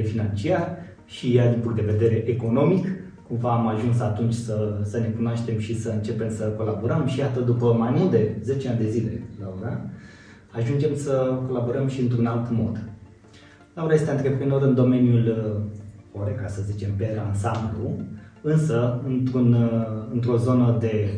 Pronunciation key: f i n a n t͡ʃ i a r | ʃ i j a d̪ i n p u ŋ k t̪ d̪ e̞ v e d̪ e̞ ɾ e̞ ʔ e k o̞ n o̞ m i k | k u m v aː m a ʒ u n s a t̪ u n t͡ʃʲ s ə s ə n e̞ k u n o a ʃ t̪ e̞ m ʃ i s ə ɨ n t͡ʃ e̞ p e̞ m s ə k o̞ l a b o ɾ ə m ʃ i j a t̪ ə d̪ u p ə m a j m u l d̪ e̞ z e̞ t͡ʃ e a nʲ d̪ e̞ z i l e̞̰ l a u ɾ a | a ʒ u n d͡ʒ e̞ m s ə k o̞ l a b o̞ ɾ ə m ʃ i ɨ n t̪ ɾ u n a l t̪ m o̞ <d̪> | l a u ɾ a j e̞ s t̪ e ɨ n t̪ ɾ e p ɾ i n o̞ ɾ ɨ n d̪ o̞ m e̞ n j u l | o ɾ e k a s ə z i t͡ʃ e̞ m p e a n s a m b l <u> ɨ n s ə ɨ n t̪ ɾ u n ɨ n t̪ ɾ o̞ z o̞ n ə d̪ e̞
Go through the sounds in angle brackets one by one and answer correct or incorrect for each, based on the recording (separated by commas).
correct, correct